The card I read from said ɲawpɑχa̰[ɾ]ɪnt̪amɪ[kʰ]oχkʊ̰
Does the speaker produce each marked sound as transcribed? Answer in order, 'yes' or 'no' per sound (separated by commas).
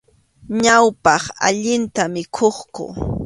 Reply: no, yes